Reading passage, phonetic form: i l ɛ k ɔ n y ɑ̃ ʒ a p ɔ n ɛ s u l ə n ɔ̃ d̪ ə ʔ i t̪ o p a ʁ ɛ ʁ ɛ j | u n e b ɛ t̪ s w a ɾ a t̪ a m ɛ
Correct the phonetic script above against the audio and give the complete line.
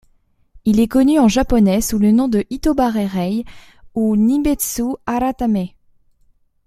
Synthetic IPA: i l ɛ k ɔ n y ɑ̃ ʒ a p ɔ n ɛ s u l ə n ɔ̃ d̪ ə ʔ i t̪ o b a ʁ ɛ ʁ ɛ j | u n i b ɛ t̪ s u a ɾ a t̪ a m ɛ